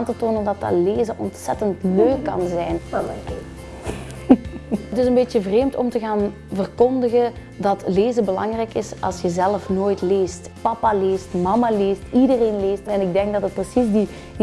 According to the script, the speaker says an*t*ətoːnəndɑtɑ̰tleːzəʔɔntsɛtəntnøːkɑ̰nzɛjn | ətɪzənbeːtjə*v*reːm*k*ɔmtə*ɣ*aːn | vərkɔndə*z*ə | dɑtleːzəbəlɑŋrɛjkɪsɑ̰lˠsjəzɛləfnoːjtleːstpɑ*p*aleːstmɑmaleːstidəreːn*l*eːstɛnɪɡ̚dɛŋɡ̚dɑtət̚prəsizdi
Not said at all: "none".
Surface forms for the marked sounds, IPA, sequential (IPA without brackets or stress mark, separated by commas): t, v, t, ɣ, ɣ, p, l